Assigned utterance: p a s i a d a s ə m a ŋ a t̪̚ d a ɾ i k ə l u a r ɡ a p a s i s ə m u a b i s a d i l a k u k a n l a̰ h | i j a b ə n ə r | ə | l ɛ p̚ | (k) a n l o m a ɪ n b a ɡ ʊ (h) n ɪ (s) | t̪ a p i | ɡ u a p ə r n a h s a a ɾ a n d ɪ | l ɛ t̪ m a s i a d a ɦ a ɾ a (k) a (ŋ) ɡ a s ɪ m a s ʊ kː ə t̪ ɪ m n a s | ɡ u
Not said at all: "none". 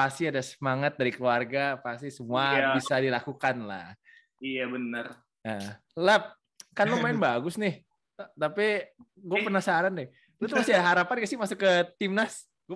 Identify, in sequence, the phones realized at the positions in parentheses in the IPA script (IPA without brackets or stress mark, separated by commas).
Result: k, s, h, p, n